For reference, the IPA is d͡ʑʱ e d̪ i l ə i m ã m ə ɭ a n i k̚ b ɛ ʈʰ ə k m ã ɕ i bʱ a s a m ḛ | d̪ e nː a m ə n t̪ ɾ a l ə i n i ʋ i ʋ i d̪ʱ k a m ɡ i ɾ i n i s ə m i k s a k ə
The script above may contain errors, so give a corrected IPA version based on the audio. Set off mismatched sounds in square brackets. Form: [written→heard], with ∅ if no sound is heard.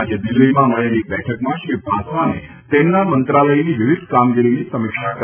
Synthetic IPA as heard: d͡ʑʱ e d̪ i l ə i m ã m ə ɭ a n i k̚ b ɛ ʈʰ ə k m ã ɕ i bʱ a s a [m→n] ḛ | [d̪→t̪] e nː a m ə n t̪ ɾ a l ə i n i ʋ i ʋ i d̪ʱ k a m ɡ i ɾ i n i s ə m i k [s→ʂ] a k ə